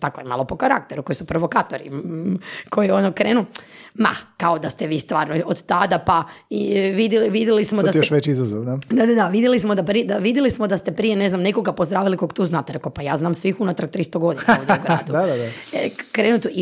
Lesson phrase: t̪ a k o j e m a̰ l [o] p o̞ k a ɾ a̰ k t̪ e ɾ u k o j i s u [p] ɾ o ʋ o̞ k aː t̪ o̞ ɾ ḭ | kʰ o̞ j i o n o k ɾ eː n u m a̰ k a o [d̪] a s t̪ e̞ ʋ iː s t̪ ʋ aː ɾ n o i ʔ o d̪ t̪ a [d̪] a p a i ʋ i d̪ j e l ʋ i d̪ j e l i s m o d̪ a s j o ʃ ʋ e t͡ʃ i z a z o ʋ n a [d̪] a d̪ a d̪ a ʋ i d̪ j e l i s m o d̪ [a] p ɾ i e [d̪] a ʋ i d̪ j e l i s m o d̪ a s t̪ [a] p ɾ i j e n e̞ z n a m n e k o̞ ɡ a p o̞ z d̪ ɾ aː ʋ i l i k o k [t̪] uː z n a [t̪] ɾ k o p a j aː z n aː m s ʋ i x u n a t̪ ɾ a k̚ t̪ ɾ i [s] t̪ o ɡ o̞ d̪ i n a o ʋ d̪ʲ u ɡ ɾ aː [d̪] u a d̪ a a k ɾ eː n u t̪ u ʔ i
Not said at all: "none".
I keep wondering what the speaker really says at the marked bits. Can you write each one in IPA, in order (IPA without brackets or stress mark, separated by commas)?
o, p, d̪, d̪, d̪, a, d̪, e, t̪, t̪, s, d̪